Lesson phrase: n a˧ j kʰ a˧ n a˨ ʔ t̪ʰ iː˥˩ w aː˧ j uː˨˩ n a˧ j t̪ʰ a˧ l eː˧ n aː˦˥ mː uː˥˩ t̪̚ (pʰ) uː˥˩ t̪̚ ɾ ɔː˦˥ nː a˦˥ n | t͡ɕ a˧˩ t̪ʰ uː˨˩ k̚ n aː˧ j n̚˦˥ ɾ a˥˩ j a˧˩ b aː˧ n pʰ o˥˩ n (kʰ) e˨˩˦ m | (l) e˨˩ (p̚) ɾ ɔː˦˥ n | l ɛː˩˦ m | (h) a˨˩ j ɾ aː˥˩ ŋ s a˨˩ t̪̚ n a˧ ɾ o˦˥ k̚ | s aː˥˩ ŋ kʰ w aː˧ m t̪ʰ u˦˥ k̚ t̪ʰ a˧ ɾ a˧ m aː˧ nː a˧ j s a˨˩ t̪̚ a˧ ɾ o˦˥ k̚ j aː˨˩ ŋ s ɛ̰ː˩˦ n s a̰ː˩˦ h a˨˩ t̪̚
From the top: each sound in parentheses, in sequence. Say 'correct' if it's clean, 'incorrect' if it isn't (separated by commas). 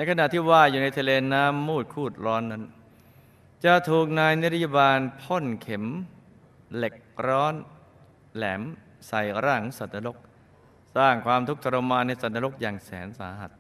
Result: incorrect, correct, correct, incorrect, incorrect